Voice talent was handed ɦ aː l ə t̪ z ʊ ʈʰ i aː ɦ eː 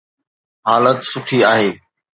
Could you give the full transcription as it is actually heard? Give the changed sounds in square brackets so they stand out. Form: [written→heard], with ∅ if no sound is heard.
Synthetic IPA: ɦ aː l ə t̪ [z→s] ʊ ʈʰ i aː ɦ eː